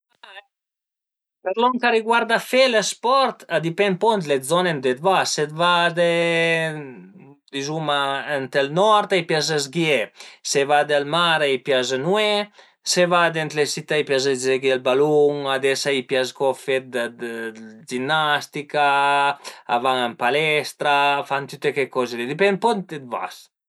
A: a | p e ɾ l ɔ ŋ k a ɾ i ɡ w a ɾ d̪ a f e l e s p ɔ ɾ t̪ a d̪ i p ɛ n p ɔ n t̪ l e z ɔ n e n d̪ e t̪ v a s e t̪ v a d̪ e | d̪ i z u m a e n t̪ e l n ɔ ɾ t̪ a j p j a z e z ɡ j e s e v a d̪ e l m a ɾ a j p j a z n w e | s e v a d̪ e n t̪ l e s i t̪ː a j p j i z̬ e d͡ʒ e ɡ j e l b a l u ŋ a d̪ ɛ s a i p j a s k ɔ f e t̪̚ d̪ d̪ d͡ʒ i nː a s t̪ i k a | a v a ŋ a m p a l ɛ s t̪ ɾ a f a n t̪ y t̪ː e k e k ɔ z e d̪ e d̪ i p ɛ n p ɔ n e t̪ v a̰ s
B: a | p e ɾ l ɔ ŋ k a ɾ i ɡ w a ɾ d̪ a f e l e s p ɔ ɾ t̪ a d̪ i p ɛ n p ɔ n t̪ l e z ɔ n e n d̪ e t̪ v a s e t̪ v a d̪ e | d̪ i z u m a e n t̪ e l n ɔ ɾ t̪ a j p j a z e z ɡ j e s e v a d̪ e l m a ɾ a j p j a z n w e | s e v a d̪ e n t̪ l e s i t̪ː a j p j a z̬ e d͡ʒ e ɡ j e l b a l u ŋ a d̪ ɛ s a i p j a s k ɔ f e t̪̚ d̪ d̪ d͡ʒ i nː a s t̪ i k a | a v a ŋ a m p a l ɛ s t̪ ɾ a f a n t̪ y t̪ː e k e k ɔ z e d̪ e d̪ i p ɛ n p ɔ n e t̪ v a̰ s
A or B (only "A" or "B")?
B